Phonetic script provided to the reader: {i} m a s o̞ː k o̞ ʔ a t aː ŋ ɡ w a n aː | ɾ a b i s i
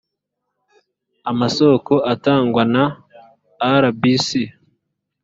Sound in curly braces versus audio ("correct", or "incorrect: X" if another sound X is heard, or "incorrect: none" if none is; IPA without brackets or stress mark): incorrect: a